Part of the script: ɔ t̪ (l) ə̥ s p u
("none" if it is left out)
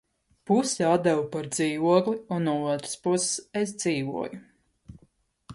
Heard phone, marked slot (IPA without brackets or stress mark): ɾ